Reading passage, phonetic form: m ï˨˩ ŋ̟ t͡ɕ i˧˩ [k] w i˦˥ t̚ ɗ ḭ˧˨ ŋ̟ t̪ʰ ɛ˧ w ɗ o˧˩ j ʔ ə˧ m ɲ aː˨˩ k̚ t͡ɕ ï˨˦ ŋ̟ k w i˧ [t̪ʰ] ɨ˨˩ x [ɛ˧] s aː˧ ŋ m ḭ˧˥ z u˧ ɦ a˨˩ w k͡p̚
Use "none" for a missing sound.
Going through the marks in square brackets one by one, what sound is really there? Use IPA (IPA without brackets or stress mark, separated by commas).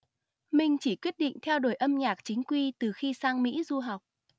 k, t̪, i˧